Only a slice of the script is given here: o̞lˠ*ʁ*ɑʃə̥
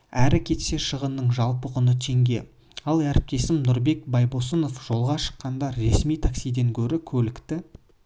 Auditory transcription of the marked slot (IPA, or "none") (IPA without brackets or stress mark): ʁ